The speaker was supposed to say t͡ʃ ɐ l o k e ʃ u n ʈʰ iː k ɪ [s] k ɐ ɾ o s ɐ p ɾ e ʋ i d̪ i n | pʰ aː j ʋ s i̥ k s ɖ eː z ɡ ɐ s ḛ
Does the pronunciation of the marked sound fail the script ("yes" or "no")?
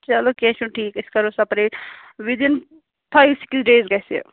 no